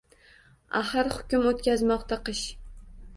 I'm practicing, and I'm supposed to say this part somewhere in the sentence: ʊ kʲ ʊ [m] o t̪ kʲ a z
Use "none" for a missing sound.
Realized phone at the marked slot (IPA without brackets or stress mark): m